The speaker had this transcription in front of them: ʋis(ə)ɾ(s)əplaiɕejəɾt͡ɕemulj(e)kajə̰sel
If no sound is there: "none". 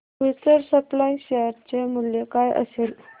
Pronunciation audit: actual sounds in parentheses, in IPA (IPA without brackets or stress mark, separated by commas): ə, s, e